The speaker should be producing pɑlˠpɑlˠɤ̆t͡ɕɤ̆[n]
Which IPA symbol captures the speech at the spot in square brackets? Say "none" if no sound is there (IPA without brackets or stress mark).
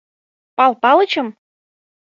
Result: m